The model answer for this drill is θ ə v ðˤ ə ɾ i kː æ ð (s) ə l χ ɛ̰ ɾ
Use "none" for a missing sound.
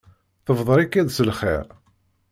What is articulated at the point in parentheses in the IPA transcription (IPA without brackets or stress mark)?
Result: s